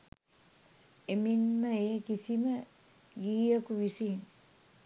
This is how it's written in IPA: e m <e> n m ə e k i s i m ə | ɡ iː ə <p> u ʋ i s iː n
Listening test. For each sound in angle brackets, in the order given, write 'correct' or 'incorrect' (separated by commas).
incorrect, incorrect